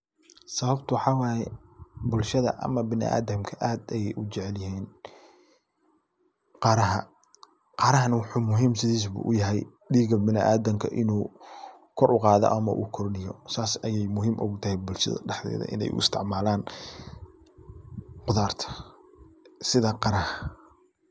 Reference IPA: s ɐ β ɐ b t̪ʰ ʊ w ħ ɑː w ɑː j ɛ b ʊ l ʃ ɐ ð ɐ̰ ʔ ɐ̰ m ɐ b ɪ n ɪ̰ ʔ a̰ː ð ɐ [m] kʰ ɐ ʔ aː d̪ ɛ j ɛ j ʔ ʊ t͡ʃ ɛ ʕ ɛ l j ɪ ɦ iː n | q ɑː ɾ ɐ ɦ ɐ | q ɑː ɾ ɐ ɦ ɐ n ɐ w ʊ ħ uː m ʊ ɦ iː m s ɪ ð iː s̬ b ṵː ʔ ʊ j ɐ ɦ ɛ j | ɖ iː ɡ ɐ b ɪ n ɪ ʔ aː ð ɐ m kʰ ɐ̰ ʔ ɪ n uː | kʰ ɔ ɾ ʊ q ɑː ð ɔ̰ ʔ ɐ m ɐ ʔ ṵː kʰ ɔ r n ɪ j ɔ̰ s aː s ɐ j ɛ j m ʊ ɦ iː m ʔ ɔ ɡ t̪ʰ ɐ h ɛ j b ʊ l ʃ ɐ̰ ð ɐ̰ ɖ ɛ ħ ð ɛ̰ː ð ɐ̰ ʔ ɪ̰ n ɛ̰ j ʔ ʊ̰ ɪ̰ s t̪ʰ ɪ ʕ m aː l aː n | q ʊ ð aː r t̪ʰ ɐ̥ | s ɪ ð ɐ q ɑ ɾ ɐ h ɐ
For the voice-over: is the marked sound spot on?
yes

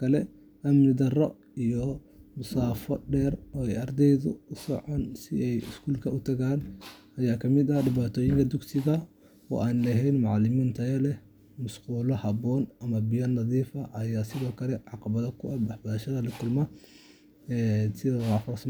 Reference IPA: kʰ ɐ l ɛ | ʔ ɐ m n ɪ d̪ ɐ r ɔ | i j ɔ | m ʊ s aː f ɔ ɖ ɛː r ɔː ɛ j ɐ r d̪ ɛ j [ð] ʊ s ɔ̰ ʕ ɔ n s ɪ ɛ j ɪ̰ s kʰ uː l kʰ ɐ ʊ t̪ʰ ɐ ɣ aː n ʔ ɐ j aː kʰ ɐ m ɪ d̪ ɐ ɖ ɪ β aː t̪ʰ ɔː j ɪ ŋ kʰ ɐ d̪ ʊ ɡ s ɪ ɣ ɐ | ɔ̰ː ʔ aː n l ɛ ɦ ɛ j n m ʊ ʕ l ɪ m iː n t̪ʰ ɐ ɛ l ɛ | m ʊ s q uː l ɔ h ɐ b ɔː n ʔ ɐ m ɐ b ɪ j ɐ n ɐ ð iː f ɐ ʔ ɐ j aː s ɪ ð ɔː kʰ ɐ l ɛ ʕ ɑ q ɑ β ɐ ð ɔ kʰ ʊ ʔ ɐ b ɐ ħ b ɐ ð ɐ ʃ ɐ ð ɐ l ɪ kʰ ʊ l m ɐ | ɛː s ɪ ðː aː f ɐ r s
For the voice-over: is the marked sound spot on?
yes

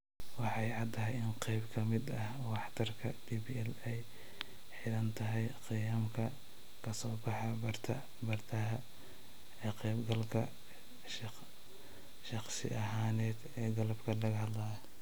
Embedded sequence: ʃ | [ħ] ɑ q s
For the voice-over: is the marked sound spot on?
no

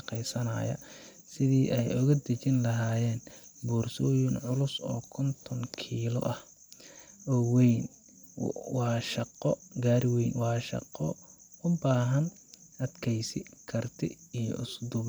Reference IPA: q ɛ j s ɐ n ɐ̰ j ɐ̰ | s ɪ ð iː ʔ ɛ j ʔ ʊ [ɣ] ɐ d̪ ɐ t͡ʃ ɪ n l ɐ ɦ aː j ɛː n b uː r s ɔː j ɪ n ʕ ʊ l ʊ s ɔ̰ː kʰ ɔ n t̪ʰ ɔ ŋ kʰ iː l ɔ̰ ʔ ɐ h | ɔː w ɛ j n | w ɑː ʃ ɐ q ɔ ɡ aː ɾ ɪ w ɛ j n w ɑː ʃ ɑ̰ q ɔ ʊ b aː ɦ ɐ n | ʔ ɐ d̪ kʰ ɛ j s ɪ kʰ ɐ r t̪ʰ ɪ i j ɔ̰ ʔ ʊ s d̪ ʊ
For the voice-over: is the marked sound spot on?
yes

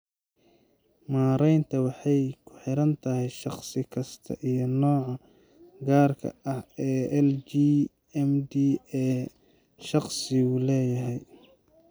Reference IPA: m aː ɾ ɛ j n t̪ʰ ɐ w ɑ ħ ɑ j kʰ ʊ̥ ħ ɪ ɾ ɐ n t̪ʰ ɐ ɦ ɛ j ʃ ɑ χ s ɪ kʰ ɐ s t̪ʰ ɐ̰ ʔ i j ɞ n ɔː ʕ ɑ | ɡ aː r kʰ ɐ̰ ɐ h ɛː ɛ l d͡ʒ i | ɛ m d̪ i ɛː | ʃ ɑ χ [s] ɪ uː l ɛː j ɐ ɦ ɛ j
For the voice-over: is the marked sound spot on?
yes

